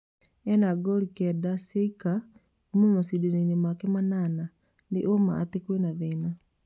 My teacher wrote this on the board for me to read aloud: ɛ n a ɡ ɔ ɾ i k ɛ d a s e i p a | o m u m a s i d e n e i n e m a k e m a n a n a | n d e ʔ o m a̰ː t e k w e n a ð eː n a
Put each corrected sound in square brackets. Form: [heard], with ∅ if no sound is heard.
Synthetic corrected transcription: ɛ n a ɡ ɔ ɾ i k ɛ d a s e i [k] a | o m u m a s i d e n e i n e m a k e m a n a n a | n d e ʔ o m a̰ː t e k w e n a ð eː n a